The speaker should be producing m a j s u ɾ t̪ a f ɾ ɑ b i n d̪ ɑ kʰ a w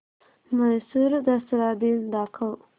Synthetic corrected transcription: m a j s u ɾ d̪ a s ɾ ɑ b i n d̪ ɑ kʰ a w